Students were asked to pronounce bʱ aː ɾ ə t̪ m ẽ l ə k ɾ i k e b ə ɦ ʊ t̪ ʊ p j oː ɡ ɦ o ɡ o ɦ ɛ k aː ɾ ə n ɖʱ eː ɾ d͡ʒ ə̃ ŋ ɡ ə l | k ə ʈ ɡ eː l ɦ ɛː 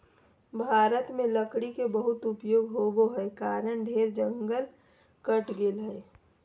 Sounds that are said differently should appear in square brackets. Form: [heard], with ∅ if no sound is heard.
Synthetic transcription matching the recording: bʱ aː ɾ ə t̪ m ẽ l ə k [ɽ] i k e b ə ɦ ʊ t̪ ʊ p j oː ɡ ɦ o ɡ o ɦ ɛ k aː ɾ ə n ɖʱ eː ɾ d͡ʒ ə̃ ŋ ɡ ə l | k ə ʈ ɡ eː l ɦ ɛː